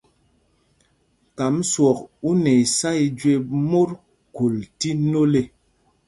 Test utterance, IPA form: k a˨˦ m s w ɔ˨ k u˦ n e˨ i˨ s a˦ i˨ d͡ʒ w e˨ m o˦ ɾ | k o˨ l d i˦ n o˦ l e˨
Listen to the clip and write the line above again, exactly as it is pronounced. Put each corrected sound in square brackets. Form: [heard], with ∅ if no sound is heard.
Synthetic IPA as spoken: k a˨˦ m s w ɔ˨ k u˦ n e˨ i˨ s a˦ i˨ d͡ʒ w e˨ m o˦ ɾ | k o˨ l [t] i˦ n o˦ l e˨